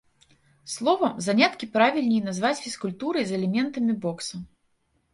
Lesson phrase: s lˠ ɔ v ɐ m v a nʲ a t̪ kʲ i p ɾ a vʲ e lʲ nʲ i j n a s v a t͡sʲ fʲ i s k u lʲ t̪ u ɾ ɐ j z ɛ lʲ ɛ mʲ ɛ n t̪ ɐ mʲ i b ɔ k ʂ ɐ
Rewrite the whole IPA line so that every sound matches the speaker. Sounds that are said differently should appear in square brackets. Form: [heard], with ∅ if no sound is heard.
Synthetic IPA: s lˠ ɔ v ɐ m [z] a nʲ a t̪ kʲ i p ɾ a vʲ [i] lʲ nʲ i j n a [z] v a t͡sʲ fʲ i s k u lʲ t̪ u ɾ ɐ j z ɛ lʲ ɛ mʲ ɛ n t̪ ɐ mʲ i b ɔ k [s] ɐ